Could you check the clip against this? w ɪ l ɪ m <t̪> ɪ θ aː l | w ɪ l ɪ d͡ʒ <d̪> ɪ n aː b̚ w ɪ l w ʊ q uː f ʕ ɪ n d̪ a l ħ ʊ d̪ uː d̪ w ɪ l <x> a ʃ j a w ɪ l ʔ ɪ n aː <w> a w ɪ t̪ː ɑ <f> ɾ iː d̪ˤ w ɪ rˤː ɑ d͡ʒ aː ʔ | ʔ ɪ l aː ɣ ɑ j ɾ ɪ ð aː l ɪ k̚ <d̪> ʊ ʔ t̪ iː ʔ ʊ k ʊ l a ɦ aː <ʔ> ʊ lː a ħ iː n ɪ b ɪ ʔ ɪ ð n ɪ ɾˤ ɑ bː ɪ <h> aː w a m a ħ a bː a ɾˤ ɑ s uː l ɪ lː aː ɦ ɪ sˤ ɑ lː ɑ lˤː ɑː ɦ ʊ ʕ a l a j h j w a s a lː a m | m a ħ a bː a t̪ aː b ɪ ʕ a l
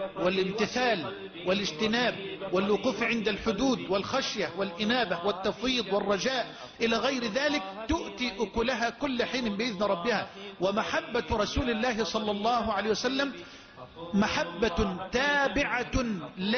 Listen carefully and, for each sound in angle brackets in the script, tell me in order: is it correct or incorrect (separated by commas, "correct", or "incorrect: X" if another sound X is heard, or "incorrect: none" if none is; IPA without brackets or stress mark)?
correct, incorrect: t̪, correct, incorrect: b, correct, incorrect: t̪, incorrect: k, correct